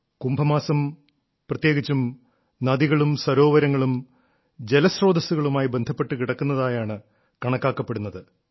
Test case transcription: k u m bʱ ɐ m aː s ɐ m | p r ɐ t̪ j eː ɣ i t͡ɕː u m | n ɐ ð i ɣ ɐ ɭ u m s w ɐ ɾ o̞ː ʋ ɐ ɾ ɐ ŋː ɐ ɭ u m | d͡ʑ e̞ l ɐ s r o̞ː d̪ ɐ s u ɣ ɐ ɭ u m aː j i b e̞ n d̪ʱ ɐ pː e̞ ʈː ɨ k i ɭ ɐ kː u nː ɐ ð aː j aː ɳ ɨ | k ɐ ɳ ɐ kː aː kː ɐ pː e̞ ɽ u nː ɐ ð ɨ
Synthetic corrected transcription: k u m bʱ ɐ m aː s ɐ m | p r ɐ t̪ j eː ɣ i t͡ɕː u m | n ɐ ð i ɣ ɐ ɭ u m s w ɐ ɾ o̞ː ʋ ɐ ɾ ɐ ŋː ɐ ɭ u m | d͡ʑ e̞ l ɐ s r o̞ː d̪ ɐ s u ɣ ɐ ɭ u m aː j i b e̞ n d̪ʱ ɐ pː e̞ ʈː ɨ k i ɽ ɐ kː u nː ɐ ð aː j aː ɳ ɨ | k ɐ ɳ ɐ kː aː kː ɐ pː e̞ ɽ u nː ɐ ð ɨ

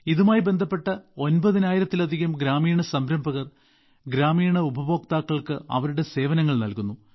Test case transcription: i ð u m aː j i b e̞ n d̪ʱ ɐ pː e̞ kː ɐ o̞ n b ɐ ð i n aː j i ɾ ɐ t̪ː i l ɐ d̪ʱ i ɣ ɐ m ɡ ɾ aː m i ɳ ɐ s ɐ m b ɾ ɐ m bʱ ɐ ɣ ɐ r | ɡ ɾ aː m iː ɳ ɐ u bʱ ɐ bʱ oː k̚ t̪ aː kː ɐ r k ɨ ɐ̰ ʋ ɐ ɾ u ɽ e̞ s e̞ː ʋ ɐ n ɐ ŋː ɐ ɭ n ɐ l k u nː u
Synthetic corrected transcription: i ð u m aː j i b e̞ n d̪ʱ ɐ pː e̞ ʈː ɐ o̞ n b ɐ ð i n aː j i ɾ ɐ t̪ː i l ɐ d̪ʱ i ɣ ɐ m ɡ ɾ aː m iː ɳ ɐ s ɐ m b ɾ ɐ m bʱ ɐ ɣ ɐ r | ɡ ɾ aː m iː ɳ ɐ u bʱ ɐ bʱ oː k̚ t̪ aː kː ɐ ɭ k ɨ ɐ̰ ʋ ɐ ɾ u ɽ e̞ s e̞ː ʋ ɐ n ɐ ŋː ɐ ɭ n ɐ l k u nː u

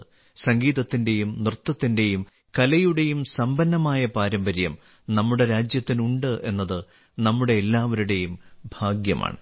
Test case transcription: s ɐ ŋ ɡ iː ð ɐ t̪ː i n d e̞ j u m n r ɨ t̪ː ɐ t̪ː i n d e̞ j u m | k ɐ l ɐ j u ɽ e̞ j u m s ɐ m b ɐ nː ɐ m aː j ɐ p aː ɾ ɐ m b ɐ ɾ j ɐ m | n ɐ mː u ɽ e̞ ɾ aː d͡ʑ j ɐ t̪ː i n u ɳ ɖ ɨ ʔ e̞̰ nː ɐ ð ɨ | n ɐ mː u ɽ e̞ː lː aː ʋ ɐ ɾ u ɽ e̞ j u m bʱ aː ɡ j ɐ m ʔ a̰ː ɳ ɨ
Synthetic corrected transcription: s ɐ ŋ ɡ iː ð ɐ t̪ː i n d e̞ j u m n r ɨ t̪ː ɐ t̪ː i n d e̞ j u m | k ɐ l ɐ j u ɽ e̞ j u m s ɐ m b ɐ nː ɐ m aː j ɐ p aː ɾ ɐ m b ɐ ɾ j ɐ m | n ɐ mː u ɽ e̞ ɾ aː d͡ʑ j ɐ t̪ː i n u ɳ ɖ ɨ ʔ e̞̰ nː ɐ ð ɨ | n ɐ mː u ɽ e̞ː lː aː ʋ ɐ ɾ u ɽ e̞ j u m bʱ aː ɡ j ɐ m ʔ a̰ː ɳ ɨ

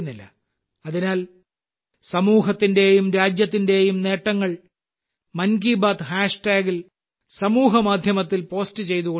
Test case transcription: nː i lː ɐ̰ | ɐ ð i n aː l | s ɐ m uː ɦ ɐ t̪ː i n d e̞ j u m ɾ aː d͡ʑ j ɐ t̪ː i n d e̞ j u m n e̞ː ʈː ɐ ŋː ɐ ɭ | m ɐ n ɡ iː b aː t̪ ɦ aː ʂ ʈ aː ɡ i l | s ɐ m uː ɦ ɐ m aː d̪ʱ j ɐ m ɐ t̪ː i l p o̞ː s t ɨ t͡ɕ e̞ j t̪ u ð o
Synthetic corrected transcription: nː i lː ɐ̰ | ɐ ð i n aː l | s ɐ m uː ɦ ɐ t̪ː i n d e̞ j u m ɾ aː d͡ʑ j ɐ t̪ː i n d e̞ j u m n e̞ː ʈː ɐ ŋː ɐ ɭ | m ɐ n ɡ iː b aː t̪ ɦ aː ʂ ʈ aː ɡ i l | s ɐ m uː ɦ ɐ m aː d̪ʱ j ɐ m ɐ t̪ː i l p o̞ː s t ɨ t͡ɕ e̞ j t̪ u ɣ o

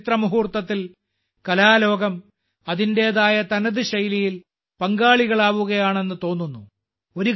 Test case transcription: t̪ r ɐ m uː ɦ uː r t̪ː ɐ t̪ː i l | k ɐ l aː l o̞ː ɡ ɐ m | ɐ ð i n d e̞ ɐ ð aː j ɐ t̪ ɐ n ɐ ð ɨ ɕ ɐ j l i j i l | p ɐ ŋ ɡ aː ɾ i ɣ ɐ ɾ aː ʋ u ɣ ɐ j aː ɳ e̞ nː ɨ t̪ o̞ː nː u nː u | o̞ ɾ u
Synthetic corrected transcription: t̪ r ɐ m u ɦ uː r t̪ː ɐ t̪ː i l | k ɐ l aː l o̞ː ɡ ɐ m | ɐ ð i n d e̞ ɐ ð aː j ɐ t̪ ɐ n ɐ ð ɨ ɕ ɐ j l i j i l | p ɐ ŋ ɡ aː ɭ i ɣ ɐ ɭ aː ʋ u ɣ ɐ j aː ɳ e̞ nː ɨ t̪ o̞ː nː u nː u | o̞ ɾ u

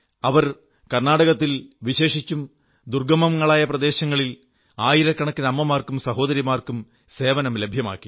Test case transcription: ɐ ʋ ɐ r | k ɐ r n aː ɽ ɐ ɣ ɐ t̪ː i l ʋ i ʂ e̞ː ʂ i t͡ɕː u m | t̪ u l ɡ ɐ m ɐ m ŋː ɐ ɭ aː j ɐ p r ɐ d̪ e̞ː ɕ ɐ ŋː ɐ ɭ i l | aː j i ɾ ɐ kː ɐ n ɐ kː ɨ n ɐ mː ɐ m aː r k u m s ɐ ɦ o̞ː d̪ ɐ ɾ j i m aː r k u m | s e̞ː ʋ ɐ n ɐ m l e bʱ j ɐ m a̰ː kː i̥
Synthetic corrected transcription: ɐ ʋ ɐ r | k ɐ r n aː ɽ ɐ ɣ ɐ t̪ː i l ʋ i ɕ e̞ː ʂ i t͡ɕː u m | d̪ u r ɡ ɐ m ɐ m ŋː ɐ ɭ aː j ɐ p r ɐ d̪ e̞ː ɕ ɐ ŋː ɐ ɭ i l | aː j i ɾ ɐ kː ɐ ɳ ɐ kː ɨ n ɐ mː ɐ m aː r k u m s ɐ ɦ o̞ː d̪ ɐ ɾ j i m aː r k u m | s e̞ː ʋ ɐ n ɐ m l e bʱ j ɐ m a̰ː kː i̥

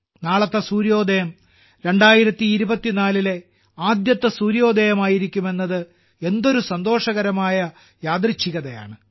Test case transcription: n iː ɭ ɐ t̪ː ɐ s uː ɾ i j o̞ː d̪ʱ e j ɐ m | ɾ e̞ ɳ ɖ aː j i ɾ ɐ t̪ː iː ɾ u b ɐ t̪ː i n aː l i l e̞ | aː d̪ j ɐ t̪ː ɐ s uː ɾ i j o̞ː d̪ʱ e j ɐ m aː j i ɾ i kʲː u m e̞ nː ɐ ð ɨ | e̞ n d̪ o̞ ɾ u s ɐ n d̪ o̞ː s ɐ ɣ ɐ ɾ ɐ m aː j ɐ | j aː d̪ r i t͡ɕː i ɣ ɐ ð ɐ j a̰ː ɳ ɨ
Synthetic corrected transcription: n aː ɭ ɐ t̪ː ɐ s uː ɾ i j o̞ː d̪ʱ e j ɐ m | ɾ e̞ ɳ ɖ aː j i ɾ ɐ t̪ː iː ɾ u b ɐ t̪ː i n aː l i l e̞ | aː d̪ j ɐ t̪ː ɐ s uː ɾ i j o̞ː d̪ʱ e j ɐ m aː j i ɾ i kʲː u m e̞ nː ɐ ð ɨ | e̞ n d̪ o̞ ɾ u s ɐ n d̪ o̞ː ʂ ɐ ɣ ɐ ɾ ɐ m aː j ɐ | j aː d̪ r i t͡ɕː i ɣ ɐ ð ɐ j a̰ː ɳ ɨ

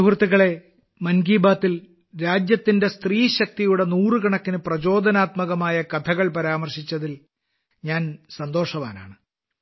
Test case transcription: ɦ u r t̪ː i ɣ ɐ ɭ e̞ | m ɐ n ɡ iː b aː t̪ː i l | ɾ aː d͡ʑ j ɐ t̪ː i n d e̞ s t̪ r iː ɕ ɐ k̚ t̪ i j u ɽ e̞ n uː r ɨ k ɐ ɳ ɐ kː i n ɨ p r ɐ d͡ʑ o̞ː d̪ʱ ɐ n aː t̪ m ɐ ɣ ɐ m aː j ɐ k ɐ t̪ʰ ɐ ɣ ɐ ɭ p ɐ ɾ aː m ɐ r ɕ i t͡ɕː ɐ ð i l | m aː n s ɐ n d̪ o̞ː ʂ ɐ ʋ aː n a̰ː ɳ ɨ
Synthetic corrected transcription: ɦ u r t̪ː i ɣ ɐ ɭ e̞ | m ɐ n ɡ iː b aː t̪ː i l | ɾ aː d͡ʑ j ɐ t̪ː i n d e̞ s t̪ r iː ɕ ɐ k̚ t̪ i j u ɽ e̞ n uː r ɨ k ɐ ɳ ɐ kː i n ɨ p r ɐ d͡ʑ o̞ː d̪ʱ ɐ n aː t̪ m ɐ ɣ ɐ m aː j ɐ k ɐ t̪ʰ ɐ ɣ ɐ ɭ p ɐ ɾ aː m ɐ r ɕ i t͡ɕː ɐ ð i l | ɲ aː n s ɐ n d̪ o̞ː ʂ ɐ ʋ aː n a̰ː ɳ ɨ

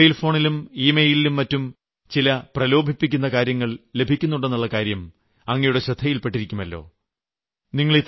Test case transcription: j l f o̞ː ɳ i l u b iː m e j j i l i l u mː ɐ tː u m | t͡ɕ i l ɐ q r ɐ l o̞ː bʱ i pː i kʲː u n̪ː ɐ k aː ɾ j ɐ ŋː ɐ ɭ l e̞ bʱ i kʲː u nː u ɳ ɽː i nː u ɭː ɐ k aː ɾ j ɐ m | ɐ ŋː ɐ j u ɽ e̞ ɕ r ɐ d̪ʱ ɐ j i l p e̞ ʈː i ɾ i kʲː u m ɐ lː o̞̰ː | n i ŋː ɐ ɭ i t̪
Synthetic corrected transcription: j l f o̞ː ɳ i l u m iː m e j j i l i l u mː ɐ tː u m | t͡ɕ i l ɐ p r ɐ l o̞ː bʱ i pː i kʲː u n̪ː ɐ k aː ɾ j ɐ ŋː ɐ ɭ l e̞ bʱ i kʲː u nː u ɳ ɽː e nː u ɭː ɐ k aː ɾ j ɐ m | ɐ ŋː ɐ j u ɽ e̞ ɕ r ɐ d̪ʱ ɐ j i l p e̞ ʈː i ɾ i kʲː u m ɐ lː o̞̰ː | n i ŋː ɐ ɭ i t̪

